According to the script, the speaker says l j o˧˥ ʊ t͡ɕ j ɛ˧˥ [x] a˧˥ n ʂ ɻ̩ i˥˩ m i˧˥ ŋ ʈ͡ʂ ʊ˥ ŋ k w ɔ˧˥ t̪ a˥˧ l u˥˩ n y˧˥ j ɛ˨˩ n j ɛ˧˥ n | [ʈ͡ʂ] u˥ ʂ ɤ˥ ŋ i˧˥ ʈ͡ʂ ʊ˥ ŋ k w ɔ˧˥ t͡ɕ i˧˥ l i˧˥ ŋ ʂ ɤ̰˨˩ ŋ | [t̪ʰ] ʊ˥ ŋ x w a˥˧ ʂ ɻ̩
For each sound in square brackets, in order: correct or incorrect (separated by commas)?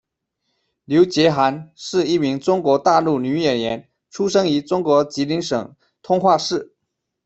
correct, incorrect, correct